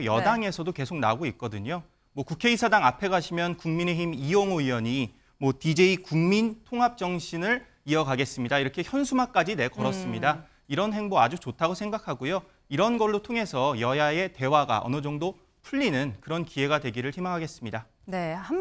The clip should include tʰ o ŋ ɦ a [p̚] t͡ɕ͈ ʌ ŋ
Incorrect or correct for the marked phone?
correct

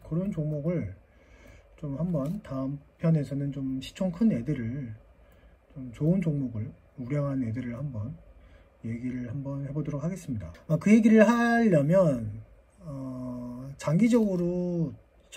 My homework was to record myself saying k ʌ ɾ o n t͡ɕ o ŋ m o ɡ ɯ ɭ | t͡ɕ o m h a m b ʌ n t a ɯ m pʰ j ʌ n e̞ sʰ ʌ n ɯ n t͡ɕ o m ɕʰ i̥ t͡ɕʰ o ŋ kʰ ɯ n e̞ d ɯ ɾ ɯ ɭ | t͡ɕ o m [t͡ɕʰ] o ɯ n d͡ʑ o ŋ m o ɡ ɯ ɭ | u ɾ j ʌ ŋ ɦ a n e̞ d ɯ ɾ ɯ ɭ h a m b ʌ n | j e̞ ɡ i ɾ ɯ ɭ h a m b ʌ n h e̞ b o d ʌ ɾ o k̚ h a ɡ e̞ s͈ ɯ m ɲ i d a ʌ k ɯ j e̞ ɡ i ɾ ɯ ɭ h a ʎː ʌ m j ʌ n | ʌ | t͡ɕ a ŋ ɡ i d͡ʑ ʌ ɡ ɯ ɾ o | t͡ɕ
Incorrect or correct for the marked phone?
incorrect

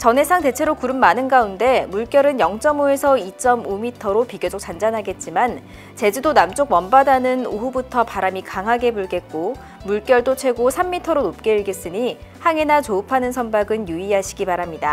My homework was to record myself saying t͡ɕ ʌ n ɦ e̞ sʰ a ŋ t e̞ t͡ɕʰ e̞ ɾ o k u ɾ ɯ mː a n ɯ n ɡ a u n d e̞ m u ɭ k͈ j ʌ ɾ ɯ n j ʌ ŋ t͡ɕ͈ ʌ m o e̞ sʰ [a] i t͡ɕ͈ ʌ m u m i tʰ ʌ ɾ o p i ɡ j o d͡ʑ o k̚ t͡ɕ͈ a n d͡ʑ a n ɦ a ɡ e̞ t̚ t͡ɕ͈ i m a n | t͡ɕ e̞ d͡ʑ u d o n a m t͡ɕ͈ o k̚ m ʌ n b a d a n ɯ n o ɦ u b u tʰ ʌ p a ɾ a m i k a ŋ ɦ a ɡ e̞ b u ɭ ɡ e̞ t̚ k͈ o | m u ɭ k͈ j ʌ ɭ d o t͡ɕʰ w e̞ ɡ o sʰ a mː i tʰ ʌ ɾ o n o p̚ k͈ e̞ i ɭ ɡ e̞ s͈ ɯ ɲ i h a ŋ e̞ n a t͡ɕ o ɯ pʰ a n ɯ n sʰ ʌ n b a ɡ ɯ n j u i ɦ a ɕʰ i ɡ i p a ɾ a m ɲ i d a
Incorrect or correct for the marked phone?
incorrect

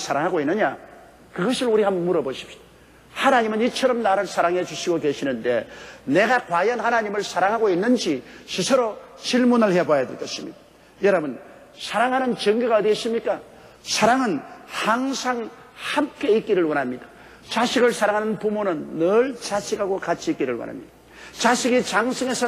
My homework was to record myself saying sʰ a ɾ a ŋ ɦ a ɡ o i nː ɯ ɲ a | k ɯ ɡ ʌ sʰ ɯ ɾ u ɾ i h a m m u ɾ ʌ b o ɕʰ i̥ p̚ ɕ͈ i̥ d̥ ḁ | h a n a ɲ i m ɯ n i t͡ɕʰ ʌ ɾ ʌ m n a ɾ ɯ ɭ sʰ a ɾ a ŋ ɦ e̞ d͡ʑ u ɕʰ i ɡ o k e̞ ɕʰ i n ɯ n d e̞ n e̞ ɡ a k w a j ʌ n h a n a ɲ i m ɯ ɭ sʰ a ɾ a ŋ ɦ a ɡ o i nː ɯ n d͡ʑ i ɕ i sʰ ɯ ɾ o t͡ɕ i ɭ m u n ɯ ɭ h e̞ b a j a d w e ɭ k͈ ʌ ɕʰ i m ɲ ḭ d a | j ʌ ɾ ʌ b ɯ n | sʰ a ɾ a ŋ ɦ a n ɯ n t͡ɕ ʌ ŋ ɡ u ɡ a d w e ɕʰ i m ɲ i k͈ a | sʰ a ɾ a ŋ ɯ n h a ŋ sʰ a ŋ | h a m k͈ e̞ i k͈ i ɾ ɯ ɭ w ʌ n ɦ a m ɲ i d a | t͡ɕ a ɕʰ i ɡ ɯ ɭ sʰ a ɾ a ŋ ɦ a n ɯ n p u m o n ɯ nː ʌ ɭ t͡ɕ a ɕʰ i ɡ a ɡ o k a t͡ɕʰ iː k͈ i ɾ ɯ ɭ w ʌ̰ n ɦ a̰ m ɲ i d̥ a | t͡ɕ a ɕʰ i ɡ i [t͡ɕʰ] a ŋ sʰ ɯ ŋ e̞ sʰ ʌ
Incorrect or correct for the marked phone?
incorrect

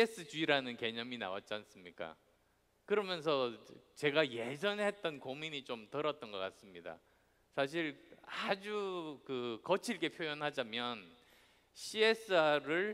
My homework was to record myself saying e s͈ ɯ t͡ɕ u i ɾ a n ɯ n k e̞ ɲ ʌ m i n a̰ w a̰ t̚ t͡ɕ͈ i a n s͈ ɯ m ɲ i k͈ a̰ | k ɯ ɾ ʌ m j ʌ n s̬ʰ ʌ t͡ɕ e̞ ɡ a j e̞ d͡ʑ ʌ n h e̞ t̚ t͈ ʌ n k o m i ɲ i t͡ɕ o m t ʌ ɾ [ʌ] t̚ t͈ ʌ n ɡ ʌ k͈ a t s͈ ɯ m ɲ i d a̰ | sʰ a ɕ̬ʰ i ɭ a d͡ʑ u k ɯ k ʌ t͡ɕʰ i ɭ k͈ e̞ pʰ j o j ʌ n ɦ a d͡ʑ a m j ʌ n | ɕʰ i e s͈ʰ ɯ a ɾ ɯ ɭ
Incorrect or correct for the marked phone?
correct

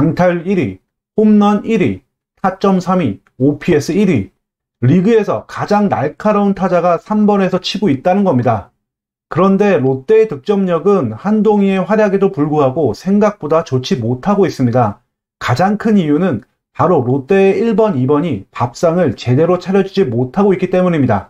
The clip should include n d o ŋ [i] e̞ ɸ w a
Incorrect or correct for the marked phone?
correct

